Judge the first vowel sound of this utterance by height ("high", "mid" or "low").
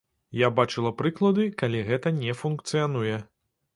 low